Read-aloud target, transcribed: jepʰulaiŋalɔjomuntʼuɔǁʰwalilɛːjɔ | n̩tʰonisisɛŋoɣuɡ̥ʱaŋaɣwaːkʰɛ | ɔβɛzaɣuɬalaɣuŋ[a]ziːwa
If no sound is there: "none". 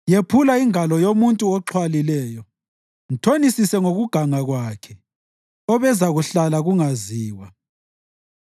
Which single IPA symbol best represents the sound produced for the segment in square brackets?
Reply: a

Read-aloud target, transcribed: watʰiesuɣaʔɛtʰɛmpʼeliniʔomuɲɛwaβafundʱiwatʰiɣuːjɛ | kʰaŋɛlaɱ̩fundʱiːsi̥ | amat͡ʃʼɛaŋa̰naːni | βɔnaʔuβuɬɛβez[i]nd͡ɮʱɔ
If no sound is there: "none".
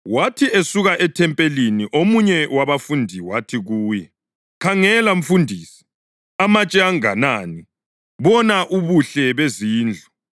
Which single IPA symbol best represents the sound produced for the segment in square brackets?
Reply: iː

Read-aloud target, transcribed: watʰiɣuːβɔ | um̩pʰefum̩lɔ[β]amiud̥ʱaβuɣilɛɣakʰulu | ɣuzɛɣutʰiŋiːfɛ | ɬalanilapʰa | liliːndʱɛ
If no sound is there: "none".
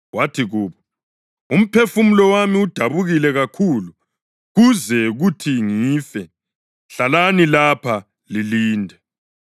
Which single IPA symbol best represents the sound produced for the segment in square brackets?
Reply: w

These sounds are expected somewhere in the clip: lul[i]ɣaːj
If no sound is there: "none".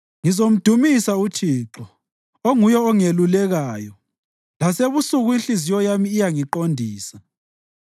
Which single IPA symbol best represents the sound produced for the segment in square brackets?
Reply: ɛ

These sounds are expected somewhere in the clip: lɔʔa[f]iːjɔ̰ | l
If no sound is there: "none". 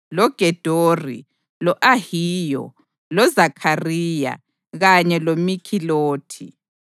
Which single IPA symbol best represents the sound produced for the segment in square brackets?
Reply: h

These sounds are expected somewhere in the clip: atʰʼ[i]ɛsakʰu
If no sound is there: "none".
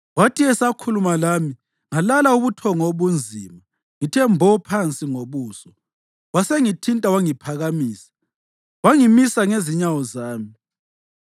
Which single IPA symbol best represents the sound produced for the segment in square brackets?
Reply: i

